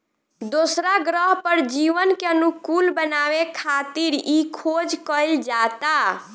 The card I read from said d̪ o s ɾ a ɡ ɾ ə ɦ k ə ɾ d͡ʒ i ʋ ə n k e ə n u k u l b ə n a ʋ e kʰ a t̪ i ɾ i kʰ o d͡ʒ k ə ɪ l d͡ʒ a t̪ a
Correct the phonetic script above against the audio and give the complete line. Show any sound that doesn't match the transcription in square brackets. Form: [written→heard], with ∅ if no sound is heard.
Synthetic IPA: d̪ o s ɾ a ɡ ɾ ə ɦ [k→p] ə ɾ d͡ʒ i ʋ ə n k e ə n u k u l b ə n a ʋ e kʰ a t̪ i ɾ i kʰ o d͡ʒ k ə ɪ l d͡ʒ a t̪ a

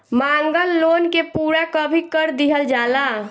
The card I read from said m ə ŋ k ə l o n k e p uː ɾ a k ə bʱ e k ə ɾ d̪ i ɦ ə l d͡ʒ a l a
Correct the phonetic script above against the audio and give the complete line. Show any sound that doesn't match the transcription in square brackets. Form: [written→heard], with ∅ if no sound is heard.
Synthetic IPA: m [ə→a] ŋ [k→ɡ] ə [l→lː] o n k e p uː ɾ a k ə bʱ [e→i] k ə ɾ d̪ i ɦ ə l d͡ʒ a l a

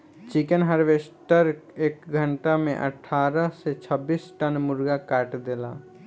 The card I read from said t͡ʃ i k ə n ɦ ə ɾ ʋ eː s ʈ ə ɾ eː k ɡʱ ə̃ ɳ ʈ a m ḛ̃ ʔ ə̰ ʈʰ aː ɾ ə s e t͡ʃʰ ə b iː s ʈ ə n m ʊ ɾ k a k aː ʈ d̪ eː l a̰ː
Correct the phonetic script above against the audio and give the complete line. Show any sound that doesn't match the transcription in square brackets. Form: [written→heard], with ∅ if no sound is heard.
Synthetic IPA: t͡ʃ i k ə n ɦ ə ɾ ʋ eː s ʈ ə ɾ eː k ɡʱ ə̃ ɳ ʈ a m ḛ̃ ʔ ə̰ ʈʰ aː ɾ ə s e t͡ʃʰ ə b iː s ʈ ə n m ʊ ɾ [k→ɡ] a k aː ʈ d̪ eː l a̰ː

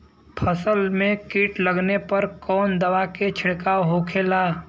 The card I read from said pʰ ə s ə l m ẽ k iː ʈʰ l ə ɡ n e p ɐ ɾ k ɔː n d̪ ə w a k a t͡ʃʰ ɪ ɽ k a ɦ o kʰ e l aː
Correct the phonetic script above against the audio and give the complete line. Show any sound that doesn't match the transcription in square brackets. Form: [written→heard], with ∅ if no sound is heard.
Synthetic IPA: pʰ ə s ə l m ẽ k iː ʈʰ l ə ɡ n e p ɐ ɾ k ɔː n d̪ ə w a k [a→e] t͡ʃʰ ɪ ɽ k a ɦ o kʰ e l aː

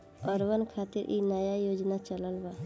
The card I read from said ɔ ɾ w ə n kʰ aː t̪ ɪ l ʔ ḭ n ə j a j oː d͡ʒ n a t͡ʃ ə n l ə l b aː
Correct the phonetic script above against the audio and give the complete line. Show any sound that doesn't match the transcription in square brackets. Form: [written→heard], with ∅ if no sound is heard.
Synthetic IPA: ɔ ɾ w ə n kʰ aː t̪ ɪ [l→ɾ] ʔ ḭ n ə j a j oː d͡ʒ n a t͡ʃ ə [n→∅] l ə l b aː

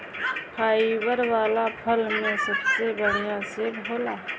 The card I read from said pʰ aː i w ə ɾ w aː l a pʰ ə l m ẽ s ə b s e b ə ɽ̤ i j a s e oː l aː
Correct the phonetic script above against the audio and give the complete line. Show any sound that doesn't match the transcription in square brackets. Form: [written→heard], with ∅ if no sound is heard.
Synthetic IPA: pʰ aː i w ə ɾ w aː l a pʰ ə l m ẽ s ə b s e b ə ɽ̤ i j a s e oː l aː

